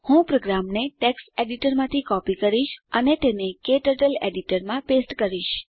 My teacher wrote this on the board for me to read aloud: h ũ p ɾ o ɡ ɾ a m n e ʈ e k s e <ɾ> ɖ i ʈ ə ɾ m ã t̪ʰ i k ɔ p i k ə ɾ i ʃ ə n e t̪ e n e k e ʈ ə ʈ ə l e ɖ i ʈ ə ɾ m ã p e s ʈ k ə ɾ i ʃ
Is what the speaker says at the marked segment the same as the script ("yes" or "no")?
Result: no